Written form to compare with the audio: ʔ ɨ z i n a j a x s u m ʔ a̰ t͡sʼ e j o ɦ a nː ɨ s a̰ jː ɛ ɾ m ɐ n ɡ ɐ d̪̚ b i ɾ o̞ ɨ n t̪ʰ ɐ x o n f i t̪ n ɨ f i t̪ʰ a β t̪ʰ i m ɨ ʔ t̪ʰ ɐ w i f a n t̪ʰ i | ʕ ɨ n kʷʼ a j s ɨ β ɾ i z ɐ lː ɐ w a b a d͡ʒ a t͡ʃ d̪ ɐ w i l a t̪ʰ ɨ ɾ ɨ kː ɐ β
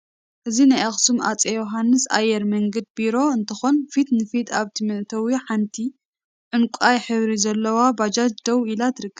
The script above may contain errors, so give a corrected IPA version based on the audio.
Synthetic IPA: ʔ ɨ z i n a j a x s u m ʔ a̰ t͡sʼ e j o ɦ a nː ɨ s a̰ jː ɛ ɾ m ɐ ŋ ɡ ɐ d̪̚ b i ɾ o̞ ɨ n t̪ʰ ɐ x o n f i t̪ n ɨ f i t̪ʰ a β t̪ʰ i m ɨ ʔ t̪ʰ ɐ w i ħ a n t̪ʰ i | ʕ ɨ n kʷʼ a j ħ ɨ β ɾ i z ɐ lː ɐ w a b a d͡ʒ a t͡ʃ d̪ ɐ w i l a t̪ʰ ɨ ɾ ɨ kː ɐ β